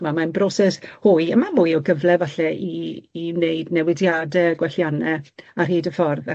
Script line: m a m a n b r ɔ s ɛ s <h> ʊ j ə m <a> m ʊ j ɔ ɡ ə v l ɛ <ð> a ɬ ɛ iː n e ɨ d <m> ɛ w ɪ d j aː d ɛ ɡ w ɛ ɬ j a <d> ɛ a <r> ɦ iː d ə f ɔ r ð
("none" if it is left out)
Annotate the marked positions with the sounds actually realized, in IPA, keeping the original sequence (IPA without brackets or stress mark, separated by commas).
h, a, v, n, n, r